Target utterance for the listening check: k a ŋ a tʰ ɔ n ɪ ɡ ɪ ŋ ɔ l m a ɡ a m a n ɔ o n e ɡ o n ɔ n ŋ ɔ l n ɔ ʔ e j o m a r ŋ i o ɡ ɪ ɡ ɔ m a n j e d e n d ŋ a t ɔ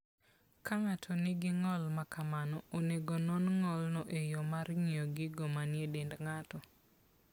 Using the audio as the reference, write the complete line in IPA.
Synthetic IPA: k a ŋ a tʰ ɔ n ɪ ɡ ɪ ŋ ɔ l m a k a m a n ɔ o n e ɡ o n ɔ n ŋ ɔ l n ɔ ʔ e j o m a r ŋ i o ɡ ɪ ɡ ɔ m a n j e d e n d ŋ a t ɔ